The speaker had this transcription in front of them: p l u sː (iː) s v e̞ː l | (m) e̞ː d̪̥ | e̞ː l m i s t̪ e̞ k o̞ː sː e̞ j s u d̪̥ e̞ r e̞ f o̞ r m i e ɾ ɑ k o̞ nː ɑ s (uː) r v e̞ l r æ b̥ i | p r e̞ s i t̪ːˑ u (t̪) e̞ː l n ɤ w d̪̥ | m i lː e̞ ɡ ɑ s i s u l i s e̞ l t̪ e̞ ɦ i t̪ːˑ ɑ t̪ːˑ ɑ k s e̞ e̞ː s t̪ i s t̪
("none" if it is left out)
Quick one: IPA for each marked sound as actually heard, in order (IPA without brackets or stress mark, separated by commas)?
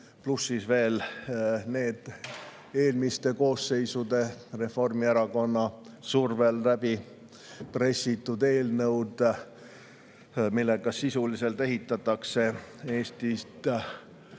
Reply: i, n, u, d̪